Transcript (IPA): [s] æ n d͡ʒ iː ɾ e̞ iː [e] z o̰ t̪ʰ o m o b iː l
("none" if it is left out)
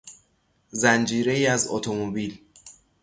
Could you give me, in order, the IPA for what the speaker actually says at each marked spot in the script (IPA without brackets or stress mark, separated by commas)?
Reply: z, æ